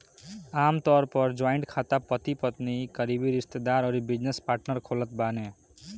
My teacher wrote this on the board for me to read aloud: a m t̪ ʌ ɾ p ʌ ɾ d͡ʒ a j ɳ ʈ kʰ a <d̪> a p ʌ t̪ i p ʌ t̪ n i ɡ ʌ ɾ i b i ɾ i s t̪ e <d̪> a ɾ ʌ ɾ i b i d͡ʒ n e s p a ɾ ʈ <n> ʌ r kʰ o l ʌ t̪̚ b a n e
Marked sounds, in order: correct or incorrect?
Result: incorrect: t̪, correct, correct

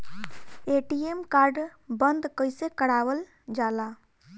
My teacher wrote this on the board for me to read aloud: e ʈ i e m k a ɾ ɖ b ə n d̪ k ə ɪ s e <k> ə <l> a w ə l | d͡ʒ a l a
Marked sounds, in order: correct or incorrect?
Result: correct, incorrect: ɽ

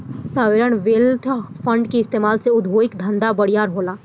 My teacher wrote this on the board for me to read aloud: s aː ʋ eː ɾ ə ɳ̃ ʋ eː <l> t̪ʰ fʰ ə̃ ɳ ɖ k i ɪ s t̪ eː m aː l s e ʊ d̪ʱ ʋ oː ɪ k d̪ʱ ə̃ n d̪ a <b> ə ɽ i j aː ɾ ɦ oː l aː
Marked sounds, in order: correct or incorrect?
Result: correct, correct

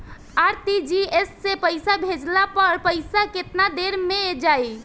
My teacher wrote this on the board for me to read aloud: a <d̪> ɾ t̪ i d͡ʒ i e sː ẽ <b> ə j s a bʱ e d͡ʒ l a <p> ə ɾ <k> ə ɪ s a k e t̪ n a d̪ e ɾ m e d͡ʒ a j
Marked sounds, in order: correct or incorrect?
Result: incorrect: none, incorrect: p, correct, incorrect: p

